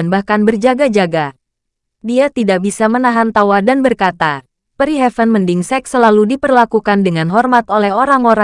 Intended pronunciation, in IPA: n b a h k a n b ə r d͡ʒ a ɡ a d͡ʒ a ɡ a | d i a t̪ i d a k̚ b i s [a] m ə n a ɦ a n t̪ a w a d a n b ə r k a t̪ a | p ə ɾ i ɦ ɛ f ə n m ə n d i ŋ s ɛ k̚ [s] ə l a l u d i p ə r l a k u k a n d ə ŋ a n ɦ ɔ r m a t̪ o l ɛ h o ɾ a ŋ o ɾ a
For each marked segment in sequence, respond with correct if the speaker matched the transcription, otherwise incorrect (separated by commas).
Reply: correct, correct